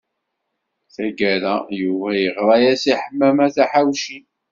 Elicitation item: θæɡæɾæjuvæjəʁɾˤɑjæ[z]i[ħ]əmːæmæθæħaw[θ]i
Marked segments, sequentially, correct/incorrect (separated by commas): incorrect, correct, incorrect